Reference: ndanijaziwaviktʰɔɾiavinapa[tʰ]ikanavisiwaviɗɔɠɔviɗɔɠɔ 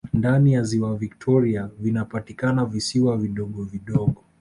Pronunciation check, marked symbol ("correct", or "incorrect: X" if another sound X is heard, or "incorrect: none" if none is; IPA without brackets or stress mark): incorrect: t